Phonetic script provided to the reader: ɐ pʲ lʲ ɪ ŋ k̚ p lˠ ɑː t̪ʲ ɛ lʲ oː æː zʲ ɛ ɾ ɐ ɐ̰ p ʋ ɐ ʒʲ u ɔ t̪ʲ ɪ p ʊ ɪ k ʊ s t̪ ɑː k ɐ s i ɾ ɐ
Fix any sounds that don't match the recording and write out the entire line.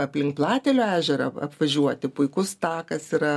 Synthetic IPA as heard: ɐ pʲ lʲ ɪ ŋ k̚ p lˠ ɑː t̪ʲ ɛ lʲ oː æː ʒʲ ɛ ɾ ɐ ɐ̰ p ʋ ɐ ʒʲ u ɔ t̪ʲ ɪ p ʊ ɪ k ʊ s t̪ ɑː k ɐ s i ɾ ɐ